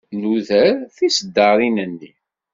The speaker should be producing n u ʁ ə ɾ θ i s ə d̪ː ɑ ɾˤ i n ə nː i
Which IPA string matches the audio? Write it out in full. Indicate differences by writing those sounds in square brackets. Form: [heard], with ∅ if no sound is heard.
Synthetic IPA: n u [ð] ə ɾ θ i s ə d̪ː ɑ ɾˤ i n ə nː i

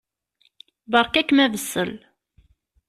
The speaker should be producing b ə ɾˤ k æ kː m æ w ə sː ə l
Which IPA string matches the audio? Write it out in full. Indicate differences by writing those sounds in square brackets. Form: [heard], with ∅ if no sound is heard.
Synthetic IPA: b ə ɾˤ k æ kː m æ [v] ə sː ə l

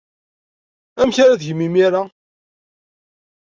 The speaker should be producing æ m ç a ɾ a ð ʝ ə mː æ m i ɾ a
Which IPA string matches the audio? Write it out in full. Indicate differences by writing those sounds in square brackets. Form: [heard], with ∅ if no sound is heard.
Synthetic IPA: æ m ç a ɾ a ð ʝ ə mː [i] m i ɾ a

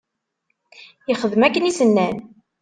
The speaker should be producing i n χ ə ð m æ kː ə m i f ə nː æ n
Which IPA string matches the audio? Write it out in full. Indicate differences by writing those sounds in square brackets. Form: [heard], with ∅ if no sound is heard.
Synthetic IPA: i [∅] χ ə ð m æ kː ə [n] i [s] ə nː æ n

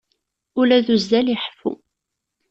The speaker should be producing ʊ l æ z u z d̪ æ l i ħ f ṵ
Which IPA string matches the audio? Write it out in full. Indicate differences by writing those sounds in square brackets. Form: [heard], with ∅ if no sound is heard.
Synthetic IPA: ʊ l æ [ð] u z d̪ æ l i ħ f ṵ

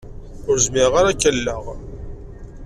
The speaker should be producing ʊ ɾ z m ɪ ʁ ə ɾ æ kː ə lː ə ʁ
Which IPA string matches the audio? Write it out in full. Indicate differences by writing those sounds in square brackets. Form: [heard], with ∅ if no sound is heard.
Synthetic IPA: ʊ ɾ z m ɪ ʁ [a] ɾ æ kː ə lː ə ʁ

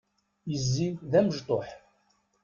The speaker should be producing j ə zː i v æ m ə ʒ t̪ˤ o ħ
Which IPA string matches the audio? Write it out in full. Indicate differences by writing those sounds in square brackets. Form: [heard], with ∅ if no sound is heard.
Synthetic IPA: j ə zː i [ð] æ m ə ʒ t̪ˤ o ħ

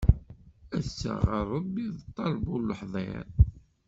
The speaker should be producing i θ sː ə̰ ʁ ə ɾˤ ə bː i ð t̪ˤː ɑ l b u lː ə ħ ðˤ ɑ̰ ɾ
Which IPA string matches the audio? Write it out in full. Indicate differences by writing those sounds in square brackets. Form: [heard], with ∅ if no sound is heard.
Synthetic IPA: [æ] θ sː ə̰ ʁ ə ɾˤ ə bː i ð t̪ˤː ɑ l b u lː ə ħ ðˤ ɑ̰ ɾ

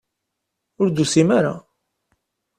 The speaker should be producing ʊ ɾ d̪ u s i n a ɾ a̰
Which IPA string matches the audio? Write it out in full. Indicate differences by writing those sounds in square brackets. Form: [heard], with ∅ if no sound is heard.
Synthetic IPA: ʊ ɾ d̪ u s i [m] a ɾ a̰

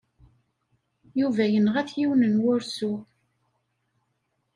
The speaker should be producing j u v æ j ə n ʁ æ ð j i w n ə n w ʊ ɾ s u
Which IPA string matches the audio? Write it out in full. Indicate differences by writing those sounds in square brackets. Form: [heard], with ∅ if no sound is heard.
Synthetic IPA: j u v æ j ə n ʁ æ [θ] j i w n ə n w ʊ ɾ s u

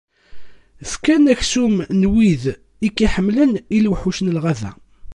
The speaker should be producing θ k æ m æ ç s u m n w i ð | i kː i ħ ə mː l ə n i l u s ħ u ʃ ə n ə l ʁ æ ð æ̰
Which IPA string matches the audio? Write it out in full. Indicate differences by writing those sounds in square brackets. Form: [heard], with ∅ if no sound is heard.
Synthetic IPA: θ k æ [n] æ ç s u m n w i ð | i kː i ħ ə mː l ə n i l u [∅] ħ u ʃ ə n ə l ʁ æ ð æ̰

